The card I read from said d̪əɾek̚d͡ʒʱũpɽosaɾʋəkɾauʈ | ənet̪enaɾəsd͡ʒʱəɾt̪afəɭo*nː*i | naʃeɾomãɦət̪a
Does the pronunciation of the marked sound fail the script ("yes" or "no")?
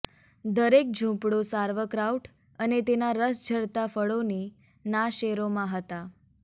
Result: yes